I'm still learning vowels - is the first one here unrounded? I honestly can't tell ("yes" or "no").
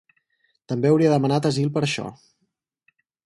yes